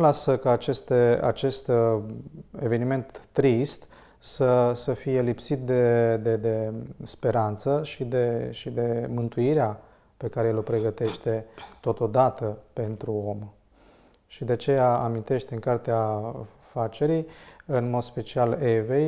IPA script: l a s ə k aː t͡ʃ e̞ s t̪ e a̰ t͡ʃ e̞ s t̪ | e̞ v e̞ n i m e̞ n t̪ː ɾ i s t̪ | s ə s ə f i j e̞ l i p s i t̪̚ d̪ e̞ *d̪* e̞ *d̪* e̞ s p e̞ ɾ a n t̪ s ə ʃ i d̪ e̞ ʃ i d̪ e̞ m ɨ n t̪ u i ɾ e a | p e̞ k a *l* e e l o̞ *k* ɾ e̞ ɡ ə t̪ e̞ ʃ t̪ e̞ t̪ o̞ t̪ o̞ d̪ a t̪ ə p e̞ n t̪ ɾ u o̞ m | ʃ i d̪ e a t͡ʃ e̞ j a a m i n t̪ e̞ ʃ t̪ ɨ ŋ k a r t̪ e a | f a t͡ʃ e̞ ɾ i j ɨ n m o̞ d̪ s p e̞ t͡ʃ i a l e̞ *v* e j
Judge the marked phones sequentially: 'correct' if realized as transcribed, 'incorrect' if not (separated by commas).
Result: correct, correct, incorrect, incorrect, correct